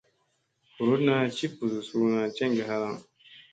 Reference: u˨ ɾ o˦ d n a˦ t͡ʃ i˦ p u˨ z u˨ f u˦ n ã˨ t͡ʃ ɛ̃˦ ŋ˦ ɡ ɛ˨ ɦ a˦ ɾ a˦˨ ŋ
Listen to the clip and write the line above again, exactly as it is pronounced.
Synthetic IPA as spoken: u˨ ɾ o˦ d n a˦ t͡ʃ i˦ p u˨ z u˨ s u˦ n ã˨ t͡ʃ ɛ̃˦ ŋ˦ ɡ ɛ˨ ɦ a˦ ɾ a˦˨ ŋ